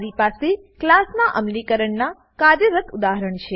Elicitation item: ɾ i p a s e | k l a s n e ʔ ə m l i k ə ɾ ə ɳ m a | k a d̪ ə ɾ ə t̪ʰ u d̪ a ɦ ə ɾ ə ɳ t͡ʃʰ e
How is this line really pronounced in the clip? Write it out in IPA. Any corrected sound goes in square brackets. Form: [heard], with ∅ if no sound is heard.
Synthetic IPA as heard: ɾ i p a s e | k l a s n [a] ʔ ə m l i k ə ɾ ə ɳ [n] a | k a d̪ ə ɾ ə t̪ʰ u d̪ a ɦ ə ɾ ə ɳ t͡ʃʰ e